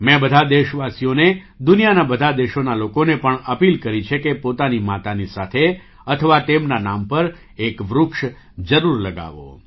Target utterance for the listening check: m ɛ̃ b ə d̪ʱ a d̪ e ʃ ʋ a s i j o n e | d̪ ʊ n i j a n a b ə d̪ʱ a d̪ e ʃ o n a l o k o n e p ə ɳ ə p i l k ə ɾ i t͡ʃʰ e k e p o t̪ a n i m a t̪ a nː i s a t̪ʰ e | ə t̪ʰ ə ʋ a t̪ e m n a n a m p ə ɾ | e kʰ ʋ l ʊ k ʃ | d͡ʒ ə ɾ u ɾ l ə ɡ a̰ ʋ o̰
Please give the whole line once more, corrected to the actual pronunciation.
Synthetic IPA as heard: m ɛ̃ b ə d̪ʱ a d̪ e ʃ ʋ a s i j o n e | d̪ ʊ n i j a n a b ə d̪ʱ a d̪ e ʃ o n a l o k o n e p ə ɳ ə p i l k ə ɾ i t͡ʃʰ e k e p o t̪ a n i m a t̪ a n i s a t̪ʰ e | ə t̪ʰ ə ʋ a t̪ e m n a n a m p ə ɾ | e k ʋ ɾ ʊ k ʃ | d͡ʒ ə ɾ u ɾ l ə ɡ a̰ ʋ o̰